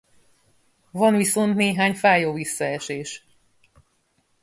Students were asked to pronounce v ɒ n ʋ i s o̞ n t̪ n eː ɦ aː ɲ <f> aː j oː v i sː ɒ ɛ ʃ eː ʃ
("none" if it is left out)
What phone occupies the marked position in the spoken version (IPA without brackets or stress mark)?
f